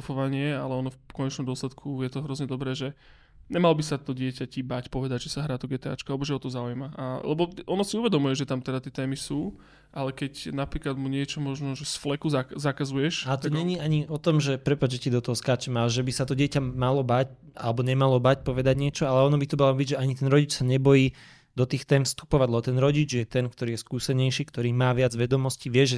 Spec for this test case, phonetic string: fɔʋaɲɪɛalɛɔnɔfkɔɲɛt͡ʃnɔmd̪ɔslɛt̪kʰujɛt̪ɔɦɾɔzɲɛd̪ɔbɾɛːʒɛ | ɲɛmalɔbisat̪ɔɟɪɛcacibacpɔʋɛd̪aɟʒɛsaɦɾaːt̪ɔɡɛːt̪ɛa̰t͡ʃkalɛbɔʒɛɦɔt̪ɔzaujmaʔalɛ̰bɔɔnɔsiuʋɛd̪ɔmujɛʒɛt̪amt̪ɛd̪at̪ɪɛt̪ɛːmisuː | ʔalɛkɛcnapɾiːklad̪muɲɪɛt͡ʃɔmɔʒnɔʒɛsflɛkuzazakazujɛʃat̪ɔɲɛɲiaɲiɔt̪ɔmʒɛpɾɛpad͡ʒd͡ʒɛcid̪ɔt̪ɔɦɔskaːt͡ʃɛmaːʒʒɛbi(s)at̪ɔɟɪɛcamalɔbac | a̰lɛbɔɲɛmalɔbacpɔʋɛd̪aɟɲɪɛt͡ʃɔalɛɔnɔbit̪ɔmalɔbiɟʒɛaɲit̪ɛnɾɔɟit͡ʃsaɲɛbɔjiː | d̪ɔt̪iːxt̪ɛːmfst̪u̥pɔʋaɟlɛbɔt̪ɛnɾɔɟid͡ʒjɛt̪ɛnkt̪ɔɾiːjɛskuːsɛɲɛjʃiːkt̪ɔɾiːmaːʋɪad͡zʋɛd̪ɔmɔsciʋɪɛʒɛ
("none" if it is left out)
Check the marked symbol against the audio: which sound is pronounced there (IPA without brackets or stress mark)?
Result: s